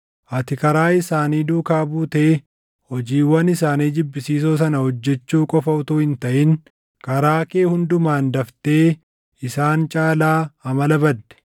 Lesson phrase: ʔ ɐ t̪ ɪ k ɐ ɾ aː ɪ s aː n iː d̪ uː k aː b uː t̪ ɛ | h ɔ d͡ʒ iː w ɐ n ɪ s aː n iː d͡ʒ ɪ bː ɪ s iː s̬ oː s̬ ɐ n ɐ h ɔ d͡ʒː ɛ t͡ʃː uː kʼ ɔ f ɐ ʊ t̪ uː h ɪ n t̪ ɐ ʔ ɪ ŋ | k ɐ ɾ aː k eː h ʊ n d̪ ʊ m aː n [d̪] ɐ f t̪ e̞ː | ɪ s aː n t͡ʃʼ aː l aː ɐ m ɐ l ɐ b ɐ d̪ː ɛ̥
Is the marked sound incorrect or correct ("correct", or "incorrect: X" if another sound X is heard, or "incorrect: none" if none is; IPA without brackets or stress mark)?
correct